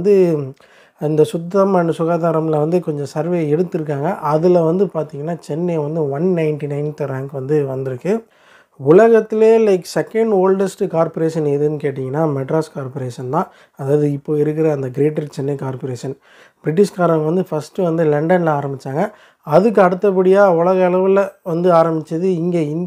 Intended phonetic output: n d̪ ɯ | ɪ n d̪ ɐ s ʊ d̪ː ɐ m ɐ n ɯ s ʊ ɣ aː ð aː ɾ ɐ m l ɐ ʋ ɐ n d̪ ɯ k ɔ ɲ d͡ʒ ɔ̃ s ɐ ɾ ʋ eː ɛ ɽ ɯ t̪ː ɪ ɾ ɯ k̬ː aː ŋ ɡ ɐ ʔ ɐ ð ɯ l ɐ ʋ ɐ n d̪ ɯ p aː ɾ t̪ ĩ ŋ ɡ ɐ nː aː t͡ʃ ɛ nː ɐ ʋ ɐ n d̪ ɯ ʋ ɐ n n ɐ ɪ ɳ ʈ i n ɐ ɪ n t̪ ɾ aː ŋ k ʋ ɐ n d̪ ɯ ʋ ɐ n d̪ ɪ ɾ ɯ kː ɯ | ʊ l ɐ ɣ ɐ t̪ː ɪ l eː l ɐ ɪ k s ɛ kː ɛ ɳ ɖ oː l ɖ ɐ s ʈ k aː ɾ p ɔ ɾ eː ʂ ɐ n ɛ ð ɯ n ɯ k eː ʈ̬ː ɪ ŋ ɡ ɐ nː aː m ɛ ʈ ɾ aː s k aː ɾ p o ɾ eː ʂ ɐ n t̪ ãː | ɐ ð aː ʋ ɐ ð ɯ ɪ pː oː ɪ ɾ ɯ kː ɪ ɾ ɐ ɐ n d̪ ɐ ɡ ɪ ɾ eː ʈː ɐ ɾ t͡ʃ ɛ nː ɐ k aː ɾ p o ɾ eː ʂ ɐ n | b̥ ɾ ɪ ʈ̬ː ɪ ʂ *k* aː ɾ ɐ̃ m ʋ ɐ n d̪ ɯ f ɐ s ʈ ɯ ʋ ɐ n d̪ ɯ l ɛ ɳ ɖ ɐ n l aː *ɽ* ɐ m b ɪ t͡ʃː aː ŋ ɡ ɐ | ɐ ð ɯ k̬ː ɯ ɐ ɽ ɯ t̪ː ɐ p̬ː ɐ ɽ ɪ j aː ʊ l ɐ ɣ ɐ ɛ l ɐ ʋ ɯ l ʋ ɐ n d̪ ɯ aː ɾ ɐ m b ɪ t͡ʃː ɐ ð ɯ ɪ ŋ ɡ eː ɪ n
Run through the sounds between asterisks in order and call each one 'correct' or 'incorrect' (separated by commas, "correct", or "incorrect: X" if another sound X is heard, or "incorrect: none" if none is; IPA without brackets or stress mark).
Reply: correct, incorrect: ɾ